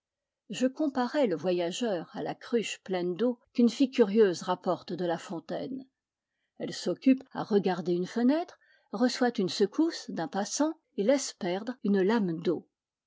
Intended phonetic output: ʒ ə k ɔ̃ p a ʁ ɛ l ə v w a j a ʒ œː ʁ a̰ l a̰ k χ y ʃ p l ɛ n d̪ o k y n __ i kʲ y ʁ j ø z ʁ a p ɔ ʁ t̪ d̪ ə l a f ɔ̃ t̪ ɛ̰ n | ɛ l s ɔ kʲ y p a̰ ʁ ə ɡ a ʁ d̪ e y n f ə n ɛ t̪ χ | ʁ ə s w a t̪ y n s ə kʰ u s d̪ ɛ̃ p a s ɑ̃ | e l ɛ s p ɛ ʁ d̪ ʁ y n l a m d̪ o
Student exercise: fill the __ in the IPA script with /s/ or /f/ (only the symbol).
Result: f